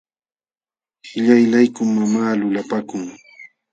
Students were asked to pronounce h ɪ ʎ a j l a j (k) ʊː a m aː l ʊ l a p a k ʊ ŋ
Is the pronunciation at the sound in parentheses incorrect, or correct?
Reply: correct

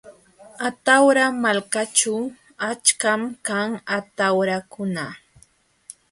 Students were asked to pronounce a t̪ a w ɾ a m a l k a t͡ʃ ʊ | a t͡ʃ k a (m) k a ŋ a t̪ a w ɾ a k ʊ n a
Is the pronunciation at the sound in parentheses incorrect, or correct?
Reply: correct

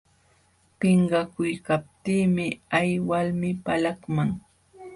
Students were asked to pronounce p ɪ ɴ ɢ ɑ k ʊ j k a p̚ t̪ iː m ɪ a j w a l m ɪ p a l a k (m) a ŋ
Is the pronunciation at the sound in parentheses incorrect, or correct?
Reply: correct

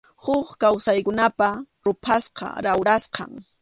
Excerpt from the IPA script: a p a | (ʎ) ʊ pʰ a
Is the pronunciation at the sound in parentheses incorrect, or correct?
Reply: incorrect: ɾ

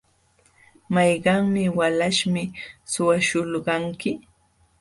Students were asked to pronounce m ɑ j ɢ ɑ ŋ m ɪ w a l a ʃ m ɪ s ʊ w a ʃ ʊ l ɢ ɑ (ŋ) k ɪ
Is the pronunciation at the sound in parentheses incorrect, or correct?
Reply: correct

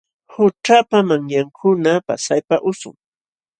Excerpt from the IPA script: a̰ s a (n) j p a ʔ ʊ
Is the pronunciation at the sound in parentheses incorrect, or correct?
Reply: incorrect: none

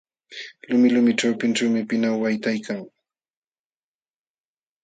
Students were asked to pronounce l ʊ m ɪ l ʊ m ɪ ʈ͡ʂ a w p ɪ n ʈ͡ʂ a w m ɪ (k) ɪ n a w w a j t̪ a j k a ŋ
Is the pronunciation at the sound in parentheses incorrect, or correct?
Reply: incorrect: p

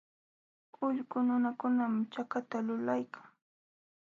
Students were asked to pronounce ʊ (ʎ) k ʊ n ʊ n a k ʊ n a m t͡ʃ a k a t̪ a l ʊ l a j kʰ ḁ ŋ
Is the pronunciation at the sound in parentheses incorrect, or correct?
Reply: correct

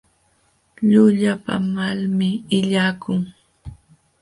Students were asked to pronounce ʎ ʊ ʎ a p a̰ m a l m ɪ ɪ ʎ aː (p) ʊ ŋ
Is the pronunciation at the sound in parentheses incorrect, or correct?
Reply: incorrect: k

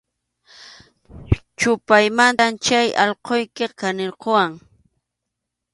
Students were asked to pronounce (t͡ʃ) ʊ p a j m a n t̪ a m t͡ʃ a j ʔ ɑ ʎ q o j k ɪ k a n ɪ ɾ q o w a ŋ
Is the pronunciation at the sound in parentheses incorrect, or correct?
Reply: correct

